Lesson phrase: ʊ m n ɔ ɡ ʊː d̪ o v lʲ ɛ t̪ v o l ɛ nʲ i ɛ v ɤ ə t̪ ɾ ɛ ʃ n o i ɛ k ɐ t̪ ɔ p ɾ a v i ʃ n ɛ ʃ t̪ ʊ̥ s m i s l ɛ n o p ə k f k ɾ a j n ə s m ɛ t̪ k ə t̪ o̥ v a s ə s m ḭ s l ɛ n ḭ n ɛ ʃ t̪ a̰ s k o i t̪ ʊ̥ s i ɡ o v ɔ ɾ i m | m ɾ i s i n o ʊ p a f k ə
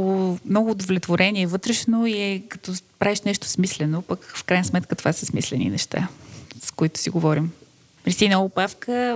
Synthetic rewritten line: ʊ m n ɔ ɡ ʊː d̪ o v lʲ ɛ t̪ v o ɾ ɛ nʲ i ɛ v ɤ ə t̪ ɾ ɛ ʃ n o i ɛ k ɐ t̪ ɔ p ɾ a v i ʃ n ɛ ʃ t̪ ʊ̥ s m i s l ɛ n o p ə k f k ɾ a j n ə s m ɛ t̪ k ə t̪ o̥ v a s ə s m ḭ s l ɛ n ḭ n ɛ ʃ t̪ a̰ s k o i t̪ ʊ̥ s i ɡ o v ɔ ɾ i m | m ɾ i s i n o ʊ p a f k ə